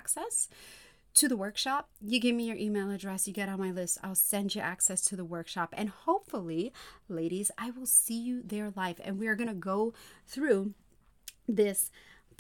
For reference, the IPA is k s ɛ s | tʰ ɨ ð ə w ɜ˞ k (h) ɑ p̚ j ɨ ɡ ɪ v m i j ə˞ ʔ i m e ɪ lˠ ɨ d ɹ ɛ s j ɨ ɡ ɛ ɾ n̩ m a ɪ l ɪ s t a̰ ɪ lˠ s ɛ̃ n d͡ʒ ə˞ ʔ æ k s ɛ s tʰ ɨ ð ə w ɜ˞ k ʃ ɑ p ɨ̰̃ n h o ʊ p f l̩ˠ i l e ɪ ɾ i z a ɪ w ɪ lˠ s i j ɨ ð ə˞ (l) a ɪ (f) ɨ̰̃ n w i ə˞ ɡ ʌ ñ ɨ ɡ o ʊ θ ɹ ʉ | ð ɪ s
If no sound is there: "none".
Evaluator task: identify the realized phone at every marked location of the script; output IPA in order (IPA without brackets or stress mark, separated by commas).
ʃ, l, f